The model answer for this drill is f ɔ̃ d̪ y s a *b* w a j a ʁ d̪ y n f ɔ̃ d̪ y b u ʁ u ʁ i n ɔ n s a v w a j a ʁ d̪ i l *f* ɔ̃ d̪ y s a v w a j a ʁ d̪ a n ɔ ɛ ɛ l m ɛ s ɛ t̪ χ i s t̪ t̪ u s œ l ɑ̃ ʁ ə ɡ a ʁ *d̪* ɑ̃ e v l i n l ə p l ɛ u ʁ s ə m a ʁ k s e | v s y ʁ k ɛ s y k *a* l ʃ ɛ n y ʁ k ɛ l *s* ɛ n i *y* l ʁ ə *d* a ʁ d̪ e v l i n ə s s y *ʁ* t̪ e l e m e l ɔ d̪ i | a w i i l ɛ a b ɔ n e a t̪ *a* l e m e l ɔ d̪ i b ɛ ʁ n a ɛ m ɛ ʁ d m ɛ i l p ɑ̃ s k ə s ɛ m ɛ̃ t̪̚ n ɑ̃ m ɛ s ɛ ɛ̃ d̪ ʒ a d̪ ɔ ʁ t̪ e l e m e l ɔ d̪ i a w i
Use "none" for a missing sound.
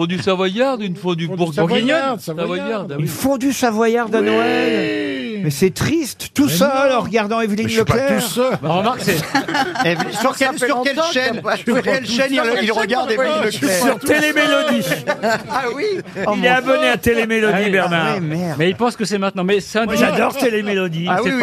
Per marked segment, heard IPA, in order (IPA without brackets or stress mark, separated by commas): v, f, d̪, ɛ, ʃ, i, ɡ, ʁ, e